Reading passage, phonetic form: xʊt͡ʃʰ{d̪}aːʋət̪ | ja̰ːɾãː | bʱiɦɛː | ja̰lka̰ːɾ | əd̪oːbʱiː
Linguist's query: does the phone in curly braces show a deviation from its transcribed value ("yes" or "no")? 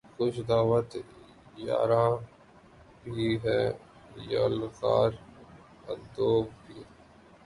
no